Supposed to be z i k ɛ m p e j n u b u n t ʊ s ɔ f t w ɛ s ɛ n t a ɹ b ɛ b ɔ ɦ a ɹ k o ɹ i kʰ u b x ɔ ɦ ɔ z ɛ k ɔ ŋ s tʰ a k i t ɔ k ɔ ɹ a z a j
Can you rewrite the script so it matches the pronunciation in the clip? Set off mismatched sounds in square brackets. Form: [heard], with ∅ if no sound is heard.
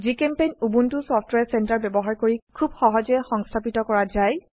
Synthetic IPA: z i k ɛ m p e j n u b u n t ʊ s ɔ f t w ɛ s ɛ n t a ɹ b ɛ b ɔ ɦ a ɹ k o ɹ i kʰ u b x ɔ ɦ ɔ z ɛ [x] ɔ ŋ s tʰ a [p] i t ɔ k ɔ ɹ a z a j